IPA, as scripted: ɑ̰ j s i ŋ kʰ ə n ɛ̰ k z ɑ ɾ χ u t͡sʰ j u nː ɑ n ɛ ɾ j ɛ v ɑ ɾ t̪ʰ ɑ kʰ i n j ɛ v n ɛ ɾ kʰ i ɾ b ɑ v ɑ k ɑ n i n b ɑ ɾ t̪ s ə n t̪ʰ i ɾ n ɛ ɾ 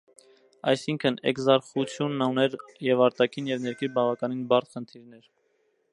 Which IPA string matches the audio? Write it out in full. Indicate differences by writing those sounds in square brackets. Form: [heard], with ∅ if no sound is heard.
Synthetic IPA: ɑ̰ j s i ŋ kʰ ə n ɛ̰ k z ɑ ɾ χ u t͡sʰ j u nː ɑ n ɛ ɾ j ɛ v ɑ ɾ [t̪] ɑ kʰ i n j ɛ v n ɛ ɾ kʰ i ɾ b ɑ v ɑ k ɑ n i n b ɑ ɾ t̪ [χ] ə n t̪ʰ i ɾ n ɛ ɾ